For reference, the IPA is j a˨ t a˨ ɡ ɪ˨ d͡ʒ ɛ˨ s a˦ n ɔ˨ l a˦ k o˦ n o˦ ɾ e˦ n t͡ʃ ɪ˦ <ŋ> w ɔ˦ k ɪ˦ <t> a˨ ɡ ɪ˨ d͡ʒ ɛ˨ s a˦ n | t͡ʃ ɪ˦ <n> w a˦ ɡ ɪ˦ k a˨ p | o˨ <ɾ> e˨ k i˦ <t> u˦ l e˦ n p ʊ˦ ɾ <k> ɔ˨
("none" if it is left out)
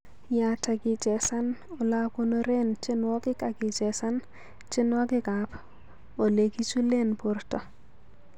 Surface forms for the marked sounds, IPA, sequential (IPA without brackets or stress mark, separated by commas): n, k, n, l, t͡ʃ, t